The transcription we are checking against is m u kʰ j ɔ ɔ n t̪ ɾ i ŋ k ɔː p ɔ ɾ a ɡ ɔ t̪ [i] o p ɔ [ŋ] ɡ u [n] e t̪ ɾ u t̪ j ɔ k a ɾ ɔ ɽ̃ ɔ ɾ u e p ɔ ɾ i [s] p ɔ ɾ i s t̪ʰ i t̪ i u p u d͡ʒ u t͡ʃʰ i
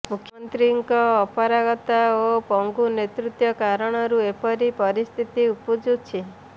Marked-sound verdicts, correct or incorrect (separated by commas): incorrect, correct, correct, incorrect